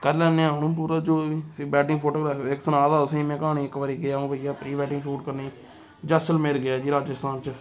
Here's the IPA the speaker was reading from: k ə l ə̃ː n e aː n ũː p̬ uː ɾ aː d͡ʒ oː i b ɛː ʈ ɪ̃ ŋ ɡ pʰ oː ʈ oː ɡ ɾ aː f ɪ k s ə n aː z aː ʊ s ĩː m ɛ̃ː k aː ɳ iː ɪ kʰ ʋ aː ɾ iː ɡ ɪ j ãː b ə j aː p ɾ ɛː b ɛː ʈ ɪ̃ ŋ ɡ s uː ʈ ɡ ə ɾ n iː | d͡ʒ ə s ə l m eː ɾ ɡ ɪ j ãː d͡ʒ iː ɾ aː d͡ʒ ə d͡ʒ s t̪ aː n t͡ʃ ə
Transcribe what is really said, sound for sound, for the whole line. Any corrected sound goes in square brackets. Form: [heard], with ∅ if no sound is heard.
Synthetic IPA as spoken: k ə l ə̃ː n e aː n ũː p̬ uː ɾ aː d͡ʒ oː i b ɛː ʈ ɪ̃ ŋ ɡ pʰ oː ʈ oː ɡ ɾ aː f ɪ k s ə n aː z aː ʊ s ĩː m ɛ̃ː k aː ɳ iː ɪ [k] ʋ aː ɾ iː ɡ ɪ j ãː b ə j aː p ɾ [iː] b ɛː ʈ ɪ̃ ŋ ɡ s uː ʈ [k] ə ɾ n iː | d͡ʒ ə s ə l m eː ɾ ɡ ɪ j [aː] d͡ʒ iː ɾ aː d͡ʒ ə [∅] s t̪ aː n t͡ʃ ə